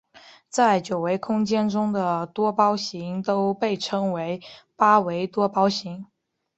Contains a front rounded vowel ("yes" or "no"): no